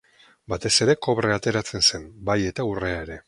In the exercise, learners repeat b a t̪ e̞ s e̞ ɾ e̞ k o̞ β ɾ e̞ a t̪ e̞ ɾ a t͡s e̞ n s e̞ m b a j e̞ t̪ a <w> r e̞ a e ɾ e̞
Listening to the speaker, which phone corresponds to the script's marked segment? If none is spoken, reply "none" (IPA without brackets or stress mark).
u